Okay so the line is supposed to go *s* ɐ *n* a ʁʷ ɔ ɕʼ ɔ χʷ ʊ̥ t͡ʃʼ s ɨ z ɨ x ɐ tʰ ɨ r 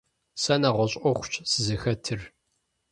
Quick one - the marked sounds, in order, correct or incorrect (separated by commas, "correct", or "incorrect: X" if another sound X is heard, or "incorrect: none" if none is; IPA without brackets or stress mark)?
correct, correct